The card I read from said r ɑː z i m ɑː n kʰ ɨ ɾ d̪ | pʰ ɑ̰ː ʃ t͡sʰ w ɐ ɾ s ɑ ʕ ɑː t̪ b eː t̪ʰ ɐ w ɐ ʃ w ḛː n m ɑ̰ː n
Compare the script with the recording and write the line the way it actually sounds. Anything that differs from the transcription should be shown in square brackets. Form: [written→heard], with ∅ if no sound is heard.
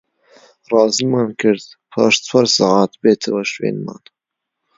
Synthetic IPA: r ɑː z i m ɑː n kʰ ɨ ɾ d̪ | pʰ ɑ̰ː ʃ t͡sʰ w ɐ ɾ s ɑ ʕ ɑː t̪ b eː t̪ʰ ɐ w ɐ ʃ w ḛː n m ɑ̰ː n